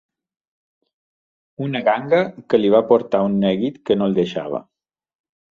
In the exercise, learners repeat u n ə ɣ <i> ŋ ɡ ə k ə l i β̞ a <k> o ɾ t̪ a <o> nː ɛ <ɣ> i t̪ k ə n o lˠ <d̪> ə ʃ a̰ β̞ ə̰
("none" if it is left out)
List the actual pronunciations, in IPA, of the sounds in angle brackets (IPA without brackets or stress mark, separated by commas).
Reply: a, p, u, ɣ, d̪